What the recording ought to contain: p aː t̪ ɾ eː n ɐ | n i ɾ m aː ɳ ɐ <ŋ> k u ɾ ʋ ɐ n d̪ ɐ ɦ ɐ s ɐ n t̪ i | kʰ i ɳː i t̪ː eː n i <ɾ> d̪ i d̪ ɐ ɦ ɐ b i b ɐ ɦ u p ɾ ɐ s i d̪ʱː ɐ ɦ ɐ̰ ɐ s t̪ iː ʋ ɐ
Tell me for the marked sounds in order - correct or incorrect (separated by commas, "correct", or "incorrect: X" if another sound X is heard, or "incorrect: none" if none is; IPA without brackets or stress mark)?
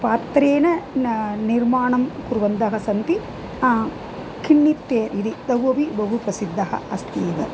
incorrect: m, incorrect: none